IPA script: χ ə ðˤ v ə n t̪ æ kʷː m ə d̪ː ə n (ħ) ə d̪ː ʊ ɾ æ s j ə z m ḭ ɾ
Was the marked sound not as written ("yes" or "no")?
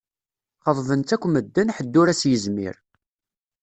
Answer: no